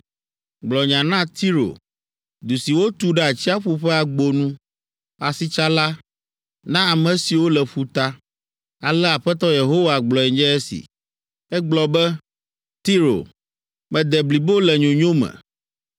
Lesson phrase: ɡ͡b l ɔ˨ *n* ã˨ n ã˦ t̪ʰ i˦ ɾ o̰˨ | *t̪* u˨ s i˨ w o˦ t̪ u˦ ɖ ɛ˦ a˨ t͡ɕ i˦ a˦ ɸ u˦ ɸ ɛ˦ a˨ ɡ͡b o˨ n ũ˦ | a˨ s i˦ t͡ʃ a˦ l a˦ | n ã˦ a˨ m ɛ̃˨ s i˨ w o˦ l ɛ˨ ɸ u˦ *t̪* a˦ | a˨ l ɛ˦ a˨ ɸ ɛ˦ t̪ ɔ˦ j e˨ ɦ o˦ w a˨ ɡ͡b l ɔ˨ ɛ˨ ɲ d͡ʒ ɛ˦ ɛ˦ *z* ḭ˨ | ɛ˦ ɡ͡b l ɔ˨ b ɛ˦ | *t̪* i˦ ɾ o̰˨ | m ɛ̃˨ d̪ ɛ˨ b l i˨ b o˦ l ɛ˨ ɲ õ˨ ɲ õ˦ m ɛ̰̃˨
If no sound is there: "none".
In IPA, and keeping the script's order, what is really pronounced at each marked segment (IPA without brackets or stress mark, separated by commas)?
ɲ, d̪, t̪, s, t̪